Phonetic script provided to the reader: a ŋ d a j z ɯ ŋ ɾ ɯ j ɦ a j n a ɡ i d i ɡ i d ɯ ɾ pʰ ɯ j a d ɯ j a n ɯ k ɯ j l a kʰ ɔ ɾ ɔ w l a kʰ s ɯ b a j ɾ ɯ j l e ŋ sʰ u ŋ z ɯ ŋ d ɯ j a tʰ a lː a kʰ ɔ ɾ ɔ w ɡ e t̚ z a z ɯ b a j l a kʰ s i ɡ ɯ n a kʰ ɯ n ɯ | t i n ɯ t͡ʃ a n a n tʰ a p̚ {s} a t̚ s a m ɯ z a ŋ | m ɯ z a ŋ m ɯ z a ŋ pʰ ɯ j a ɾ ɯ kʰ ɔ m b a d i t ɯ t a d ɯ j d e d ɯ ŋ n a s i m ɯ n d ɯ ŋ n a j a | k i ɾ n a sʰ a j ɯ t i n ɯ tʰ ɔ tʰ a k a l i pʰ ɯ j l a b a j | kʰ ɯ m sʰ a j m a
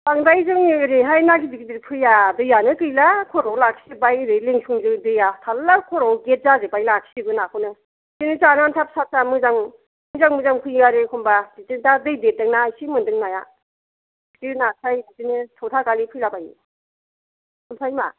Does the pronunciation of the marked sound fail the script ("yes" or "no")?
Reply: no